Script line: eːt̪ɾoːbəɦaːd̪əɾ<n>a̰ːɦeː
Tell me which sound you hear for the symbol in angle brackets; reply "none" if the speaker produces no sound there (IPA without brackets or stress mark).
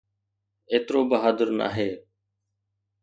n